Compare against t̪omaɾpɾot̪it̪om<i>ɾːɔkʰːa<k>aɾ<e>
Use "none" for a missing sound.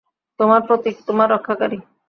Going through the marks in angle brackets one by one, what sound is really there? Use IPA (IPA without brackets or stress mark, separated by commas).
a, k, i